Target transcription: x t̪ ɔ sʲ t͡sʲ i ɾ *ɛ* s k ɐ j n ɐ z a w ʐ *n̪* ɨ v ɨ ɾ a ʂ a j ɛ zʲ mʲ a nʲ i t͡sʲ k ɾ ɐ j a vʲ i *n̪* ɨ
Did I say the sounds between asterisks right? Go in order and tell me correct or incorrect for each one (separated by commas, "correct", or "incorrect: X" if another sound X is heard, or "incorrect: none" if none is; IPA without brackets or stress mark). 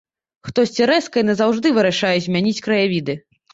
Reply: correct, incorrect: d̪, incorrect: d̪